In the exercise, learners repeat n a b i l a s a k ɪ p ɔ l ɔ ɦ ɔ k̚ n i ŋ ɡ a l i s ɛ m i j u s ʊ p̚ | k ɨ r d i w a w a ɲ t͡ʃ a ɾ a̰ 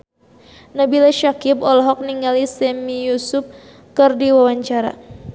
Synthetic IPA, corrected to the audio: n a b i l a ʃ a k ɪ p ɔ l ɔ ɦ ɔ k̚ n i ŋ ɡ a l i s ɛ m i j u s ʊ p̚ | k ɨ r d i w a w a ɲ t͡ʃ a ɾ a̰